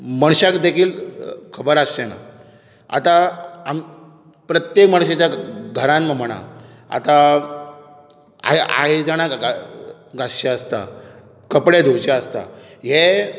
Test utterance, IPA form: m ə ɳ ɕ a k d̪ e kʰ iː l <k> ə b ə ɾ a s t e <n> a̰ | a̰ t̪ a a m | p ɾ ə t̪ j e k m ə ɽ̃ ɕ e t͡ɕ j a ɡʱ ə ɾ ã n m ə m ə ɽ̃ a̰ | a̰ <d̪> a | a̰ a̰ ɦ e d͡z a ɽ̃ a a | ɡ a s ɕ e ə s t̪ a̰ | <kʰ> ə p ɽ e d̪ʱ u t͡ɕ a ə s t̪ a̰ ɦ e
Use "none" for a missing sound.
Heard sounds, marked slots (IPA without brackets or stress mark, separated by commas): kʰ, n, t̪, k